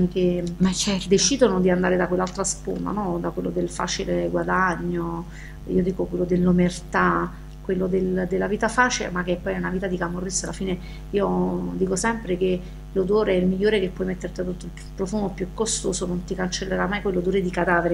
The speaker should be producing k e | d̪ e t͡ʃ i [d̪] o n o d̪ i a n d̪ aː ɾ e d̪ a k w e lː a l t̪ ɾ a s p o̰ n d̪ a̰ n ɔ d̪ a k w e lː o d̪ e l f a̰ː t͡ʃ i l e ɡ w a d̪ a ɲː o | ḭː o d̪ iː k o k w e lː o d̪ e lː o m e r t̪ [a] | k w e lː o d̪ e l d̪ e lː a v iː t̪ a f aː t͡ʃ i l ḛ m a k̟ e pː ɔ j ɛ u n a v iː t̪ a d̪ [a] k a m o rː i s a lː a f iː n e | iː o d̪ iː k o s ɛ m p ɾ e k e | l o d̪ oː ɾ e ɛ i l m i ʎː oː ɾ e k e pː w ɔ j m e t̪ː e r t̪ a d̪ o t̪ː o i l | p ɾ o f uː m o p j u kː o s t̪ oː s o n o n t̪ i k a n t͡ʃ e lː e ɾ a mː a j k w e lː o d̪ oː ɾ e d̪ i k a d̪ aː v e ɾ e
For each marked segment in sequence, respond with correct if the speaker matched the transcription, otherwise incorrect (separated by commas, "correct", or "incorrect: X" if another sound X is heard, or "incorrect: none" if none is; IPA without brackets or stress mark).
correct, correct, incorrect: i